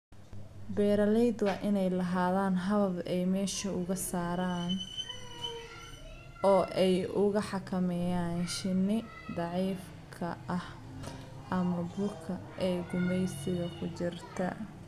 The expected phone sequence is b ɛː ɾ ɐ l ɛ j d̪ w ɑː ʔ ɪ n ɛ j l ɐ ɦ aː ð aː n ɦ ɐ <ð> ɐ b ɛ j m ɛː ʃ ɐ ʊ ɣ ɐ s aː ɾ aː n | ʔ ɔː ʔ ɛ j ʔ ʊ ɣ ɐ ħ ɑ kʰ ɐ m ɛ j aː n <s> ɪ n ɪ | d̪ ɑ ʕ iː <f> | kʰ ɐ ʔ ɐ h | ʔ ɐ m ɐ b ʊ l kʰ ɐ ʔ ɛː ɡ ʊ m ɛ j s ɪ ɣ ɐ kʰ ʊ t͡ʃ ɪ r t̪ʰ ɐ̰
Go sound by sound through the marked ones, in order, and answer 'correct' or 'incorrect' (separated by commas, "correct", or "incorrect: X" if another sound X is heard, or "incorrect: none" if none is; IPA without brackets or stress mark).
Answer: correct, incorrect: ʃ, correct